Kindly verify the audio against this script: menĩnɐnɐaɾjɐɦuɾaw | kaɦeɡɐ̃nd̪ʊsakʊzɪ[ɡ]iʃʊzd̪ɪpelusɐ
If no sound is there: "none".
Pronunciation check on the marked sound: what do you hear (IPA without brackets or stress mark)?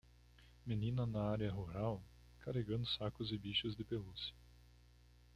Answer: b